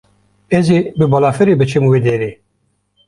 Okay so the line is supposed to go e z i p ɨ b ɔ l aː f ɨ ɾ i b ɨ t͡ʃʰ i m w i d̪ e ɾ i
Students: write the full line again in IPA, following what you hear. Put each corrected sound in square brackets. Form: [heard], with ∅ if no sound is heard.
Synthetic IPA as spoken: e z i [b] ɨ b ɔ l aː f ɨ ɾ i b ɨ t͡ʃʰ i m w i d̪ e ɾ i